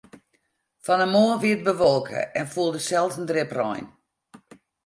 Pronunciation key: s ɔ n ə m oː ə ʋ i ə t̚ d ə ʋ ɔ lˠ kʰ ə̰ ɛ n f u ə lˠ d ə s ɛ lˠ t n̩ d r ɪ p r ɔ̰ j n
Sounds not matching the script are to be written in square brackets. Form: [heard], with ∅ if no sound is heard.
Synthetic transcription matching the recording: [f] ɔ n ə m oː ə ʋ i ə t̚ [b] ə ʋ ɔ lˠ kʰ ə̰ ɛ n f u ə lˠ d ə s ɛ lˠ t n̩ d r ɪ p r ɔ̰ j n

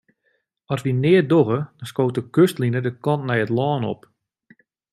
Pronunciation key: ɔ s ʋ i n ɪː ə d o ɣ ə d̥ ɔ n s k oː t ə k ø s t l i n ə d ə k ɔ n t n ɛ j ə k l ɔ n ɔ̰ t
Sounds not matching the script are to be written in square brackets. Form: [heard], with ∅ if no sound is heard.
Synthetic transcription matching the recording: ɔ s ʋ i n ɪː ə d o ɣ ə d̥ ɔ n s k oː t ə k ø s t l i n ə d ə k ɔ n t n ɛ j ə [t] l [ɔː] n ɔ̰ [p]

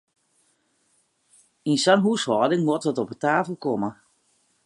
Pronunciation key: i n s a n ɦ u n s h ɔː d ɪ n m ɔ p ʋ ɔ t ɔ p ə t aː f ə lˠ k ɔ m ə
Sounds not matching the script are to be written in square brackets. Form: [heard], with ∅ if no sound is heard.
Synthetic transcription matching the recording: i n s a n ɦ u [∅] s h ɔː d ɪ [ŋ] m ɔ [t] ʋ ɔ t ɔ p ə t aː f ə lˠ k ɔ m ə

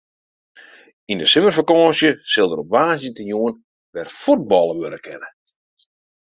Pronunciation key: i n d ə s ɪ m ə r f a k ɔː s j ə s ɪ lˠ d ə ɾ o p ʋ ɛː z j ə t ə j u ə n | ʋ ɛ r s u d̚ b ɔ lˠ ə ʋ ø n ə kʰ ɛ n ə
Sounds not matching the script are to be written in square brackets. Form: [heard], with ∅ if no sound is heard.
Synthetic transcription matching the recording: i n d ə s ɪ m ə r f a k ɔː s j ə s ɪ lˠ d ə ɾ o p ʋ [aː] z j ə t ə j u ə n | ʋ ɛ r [f] u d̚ b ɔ lˠ ə ʋ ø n ə kʰ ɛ n ə

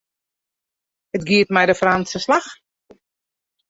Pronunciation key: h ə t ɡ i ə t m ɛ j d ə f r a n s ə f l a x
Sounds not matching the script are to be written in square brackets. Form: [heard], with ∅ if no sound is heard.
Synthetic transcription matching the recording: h ə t ɡ i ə t m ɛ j d ə f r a n s ə [s] l a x

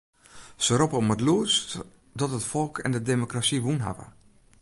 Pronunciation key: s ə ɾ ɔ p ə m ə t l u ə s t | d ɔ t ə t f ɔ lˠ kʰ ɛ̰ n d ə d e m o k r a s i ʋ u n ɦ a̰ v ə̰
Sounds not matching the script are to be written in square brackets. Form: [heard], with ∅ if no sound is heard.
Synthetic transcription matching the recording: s ə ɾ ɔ p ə m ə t l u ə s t | d ɔ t ə t f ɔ lˠ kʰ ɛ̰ n d ə d e m o k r a s i ʋ u n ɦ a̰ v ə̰

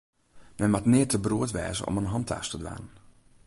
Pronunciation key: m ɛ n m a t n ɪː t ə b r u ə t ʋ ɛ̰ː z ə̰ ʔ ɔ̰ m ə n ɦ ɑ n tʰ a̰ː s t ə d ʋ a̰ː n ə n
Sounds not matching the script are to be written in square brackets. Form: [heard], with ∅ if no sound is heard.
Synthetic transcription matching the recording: m ɛ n m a t n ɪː t ə b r u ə t ʋ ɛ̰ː z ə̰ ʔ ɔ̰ m ə n ɦ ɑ n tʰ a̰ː s t ə d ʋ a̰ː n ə n

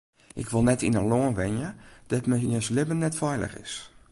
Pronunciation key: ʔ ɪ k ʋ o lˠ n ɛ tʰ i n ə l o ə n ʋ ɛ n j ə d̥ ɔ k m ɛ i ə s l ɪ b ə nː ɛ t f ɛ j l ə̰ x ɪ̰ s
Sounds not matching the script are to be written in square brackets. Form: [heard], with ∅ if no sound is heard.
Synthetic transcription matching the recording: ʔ ɪ k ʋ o lˠ n ɛ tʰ i n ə l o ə n ʋ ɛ n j ə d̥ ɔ [t] m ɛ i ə s l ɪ b ə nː ɛ t f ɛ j l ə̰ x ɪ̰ s

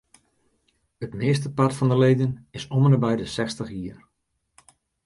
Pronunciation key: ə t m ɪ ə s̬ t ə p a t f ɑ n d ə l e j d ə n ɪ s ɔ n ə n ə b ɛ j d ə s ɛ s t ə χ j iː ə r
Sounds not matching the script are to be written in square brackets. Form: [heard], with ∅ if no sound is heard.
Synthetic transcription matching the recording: ə t m ɪ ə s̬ t ə p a t f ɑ n d ə l e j d ə n ɪ s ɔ [m] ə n ə b ɛ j d ə s ɛ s t ə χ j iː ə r

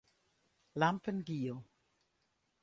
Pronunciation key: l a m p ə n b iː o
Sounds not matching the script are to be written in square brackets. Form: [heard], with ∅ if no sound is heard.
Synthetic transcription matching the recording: l a m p ə n [ɡ] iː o

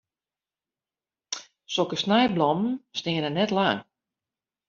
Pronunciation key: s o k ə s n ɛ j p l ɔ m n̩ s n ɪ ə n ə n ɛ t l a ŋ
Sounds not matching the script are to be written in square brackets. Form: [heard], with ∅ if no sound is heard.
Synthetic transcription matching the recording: s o k ə s n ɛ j [b] l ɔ m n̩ s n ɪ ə n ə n ɛ t l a ŋ

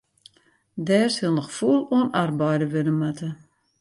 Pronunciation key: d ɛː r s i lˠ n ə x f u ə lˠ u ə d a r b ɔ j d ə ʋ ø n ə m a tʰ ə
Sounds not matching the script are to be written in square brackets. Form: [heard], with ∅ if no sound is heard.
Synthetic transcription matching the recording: d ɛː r s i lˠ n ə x f u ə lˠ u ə [n] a r b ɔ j d ə ʋ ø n ə m a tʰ ə

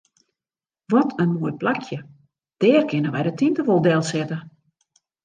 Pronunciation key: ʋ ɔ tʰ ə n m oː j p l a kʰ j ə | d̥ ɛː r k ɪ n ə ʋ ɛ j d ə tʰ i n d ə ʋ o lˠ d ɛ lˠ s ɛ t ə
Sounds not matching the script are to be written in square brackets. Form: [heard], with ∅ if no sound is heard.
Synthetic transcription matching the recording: ʋ ɔ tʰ ə n m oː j p l a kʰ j ə | d̥ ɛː r k ɪ n ə ʋ ɛ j d ə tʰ i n [t] ə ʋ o lˠ d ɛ lˠ s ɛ t ə

